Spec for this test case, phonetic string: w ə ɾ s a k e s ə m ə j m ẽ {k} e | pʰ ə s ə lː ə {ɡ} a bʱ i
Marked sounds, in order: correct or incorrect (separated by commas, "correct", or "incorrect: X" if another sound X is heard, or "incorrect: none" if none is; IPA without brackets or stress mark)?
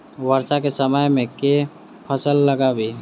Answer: correct, correct